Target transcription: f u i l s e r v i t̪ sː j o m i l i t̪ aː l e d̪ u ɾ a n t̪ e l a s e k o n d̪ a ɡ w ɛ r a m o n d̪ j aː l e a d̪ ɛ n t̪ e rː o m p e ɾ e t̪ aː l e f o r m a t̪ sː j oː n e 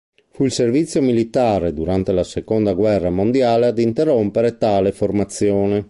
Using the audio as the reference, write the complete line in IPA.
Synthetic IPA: f u i l s e r v i t̪ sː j o m i l i t̪ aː ɾ e d̪ u ɾ a n t̪ e l a s e k o n d̪ a ɡ w ɛ rː a m o n d̪ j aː l e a d̪ i n t̪ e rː o m p e ɾ e t̪ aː l e f o r m a t̪ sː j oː n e